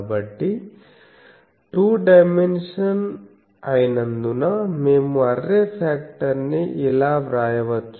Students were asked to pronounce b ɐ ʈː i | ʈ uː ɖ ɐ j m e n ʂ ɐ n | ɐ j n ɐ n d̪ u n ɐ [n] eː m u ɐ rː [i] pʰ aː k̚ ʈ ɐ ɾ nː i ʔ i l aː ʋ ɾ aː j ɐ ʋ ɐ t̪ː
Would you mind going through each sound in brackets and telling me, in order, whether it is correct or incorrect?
incorrect: m, incorrect: e

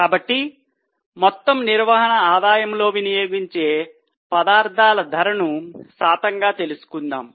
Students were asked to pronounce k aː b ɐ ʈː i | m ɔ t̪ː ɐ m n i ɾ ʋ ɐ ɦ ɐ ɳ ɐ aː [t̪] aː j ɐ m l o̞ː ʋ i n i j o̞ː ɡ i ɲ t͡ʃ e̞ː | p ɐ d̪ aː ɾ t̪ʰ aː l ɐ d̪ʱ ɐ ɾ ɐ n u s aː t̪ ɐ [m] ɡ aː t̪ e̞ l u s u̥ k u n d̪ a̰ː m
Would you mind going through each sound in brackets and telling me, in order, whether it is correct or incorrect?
incorrect: d̪, incorrect: ŋ

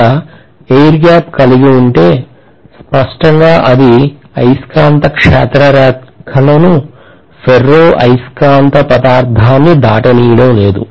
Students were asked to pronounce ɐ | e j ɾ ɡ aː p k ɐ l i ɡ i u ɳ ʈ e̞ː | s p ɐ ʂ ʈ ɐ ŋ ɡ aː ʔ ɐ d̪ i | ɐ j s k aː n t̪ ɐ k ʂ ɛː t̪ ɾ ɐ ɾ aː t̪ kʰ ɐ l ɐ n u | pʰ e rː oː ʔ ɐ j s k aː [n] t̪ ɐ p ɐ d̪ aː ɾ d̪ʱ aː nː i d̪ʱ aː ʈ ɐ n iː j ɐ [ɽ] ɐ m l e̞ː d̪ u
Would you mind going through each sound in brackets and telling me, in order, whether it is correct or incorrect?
correct, correct

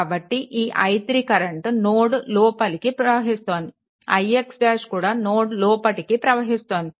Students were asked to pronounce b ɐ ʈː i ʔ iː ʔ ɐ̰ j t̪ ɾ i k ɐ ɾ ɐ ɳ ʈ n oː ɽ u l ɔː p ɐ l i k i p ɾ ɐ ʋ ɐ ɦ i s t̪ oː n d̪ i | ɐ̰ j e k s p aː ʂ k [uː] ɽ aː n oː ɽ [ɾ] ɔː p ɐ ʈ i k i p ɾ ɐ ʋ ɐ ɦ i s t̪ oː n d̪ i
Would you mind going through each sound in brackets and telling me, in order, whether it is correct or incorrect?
correct, incorrect: l

